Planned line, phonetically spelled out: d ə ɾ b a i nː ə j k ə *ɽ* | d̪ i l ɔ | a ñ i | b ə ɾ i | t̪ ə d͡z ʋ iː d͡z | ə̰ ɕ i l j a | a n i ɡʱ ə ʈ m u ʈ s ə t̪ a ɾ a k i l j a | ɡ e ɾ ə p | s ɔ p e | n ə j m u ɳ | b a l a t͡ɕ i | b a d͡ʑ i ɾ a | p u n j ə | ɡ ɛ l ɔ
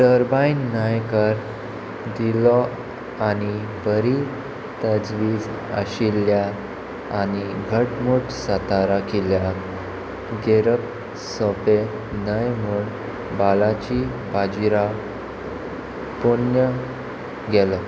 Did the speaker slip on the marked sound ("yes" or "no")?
yes